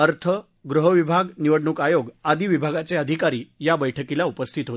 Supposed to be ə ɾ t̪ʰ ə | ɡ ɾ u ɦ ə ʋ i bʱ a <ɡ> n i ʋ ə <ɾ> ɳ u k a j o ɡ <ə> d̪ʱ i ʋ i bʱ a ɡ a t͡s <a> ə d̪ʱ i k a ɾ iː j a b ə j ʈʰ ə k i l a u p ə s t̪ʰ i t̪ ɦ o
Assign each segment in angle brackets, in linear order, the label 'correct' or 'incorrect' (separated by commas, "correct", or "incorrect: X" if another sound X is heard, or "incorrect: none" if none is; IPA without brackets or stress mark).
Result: correct, incorrect: ɽ, incorrect: a, incorrect: e